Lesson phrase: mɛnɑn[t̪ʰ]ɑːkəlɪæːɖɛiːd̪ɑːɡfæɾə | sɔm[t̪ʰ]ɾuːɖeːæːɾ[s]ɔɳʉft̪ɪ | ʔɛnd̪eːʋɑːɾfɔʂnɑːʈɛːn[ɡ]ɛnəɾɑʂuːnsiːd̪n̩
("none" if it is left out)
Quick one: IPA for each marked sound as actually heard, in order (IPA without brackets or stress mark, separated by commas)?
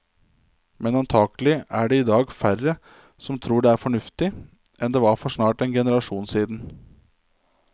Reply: t̪ʰ, t̪ʰ, f, ɡ